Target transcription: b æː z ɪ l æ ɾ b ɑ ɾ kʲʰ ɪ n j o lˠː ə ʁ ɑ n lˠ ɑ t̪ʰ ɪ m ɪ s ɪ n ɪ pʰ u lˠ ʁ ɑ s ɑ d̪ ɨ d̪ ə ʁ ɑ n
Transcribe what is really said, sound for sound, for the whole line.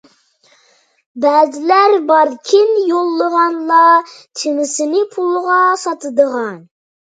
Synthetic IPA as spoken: b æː z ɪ l æ ɾ b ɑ ɾ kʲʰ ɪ n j o lˠː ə ʁ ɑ n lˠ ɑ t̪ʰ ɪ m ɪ s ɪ n ɪ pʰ u lˠ ʁ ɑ s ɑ t̪ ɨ d̪ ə ʁ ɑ n

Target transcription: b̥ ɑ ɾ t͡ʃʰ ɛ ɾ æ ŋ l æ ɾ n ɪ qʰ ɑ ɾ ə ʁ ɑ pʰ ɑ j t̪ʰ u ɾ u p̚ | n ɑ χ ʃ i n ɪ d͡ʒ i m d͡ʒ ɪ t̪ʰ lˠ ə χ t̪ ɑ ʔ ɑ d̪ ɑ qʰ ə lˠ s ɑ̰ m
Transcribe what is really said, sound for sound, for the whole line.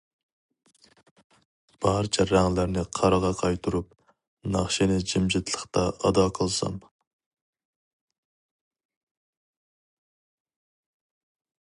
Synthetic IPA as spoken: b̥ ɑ ɾ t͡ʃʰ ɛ ɾ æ ŋ l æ ɾ n ɪ qʰ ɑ ɾ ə ʁ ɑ qʰ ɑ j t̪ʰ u ɾ u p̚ | n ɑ χ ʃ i n ɪ d͡ʒ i m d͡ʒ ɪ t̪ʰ lˠ ə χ t̪ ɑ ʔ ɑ d̪ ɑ qʰ ə lˠ s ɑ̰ m

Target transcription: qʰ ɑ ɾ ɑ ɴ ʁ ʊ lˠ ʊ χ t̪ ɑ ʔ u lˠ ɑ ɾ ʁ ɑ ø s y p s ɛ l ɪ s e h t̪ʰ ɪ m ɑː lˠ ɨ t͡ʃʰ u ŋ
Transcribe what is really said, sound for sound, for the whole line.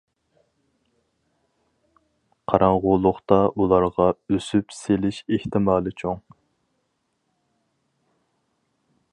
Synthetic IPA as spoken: qʰ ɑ ɾ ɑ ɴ ʁ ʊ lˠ ʊ χ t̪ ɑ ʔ u lˠ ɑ ɾ ʁ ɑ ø s y p s e l ɪ ʃ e h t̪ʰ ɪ m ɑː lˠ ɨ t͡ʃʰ o ŋ

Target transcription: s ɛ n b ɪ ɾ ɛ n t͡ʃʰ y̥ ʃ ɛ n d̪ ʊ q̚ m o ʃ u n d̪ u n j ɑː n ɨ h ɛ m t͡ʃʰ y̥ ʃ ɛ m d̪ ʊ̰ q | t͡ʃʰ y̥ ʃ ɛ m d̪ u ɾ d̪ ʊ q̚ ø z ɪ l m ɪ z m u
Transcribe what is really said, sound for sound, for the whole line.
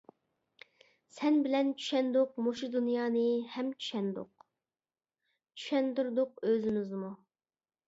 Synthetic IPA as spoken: s ɛ n b ɪ l ɛ n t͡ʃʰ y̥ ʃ ɛ n d̪ ʊ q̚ m o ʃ u d̪ u n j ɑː n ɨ h ɛ m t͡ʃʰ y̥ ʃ ɛ n d̪ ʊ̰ q | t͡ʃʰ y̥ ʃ ɛ n d̪ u ɾ d̪ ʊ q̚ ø z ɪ m ɪ z m u

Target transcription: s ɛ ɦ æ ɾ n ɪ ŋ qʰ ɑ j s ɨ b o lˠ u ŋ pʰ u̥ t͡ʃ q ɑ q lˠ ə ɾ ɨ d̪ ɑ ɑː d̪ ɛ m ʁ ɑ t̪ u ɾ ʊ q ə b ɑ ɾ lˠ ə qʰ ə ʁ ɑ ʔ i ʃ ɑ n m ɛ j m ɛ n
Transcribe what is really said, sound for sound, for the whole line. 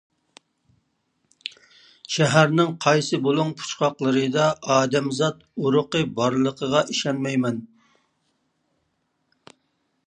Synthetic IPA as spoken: ʃ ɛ ɦ æ ɾ n ɪ ŋ qʰ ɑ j s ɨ b o lˠ u ŋ pʰ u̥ t͡ʃ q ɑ q lˠ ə ɾ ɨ d̪ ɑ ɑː d̪ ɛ m z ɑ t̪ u ɾ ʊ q ə b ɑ ɾ lˠ ə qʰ ə ʁ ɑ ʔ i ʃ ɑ n m ɛ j m ɛ n

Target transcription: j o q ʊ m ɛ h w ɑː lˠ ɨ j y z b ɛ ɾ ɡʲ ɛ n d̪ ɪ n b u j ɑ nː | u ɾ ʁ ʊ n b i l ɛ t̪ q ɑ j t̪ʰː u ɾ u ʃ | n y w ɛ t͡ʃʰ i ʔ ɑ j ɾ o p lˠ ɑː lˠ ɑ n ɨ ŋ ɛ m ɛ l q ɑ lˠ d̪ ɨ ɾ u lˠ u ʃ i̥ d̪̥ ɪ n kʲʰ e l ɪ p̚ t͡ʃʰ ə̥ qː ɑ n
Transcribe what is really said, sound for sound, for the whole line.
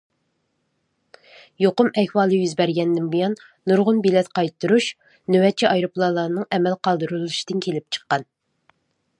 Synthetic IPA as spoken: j o q ʊ m ɛ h w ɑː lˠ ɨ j y z b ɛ ɾ ɡʲ ɛ n d̪ ɪ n b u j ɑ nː | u ɾ ʁ ʊ n b i l ɛ t̪ q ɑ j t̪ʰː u ɾ u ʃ | n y w ɛ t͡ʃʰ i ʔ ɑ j ɾ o p lˠ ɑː lˠ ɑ n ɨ ŋ ɛ m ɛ l q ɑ lˠ d̪ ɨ ɾ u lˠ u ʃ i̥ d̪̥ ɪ n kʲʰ e l ɪ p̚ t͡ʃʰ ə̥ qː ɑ n

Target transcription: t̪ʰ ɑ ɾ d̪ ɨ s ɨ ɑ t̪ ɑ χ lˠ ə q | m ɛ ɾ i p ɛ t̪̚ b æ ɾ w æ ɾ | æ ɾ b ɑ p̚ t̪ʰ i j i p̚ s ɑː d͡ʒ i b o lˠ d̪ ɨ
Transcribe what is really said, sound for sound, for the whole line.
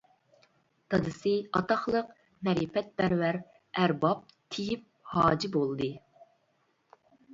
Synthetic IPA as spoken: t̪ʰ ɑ d̪ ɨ s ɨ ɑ t̪ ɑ χ lˠ ə q | m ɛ ɾ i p ɛ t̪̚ b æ ɾ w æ ɾ | æ ɾ b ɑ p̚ t̪ʰ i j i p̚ h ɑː d͡ʒ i b o lˠ d̪ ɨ

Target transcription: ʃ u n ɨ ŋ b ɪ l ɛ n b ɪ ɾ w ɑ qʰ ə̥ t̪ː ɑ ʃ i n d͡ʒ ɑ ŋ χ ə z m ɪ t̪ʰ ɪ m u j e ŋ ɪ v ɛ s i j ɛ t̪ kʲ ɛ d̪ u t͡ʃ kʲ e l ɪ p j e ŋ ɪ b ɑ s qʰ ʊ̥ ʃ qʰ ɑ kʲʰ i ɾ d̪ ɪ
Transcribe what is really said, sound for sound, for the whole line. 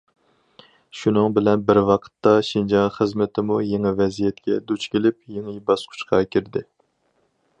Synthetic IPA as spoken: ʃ u n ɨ ŋ b ɪ l ɛ n b ɪ ɾ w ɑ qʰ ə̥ t̪ː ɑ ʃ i n d͡ʒ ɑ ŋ χ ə z m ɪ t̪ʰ ɪ m u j e ŋ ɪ v ɛ z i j ɛ t̪ kʲ ɛ d̪ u t͡ʃ kʲ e l ɪ p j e ŋ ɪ b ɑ s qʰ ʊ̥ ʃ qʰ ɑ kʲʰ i ɾ d̪ ɪ

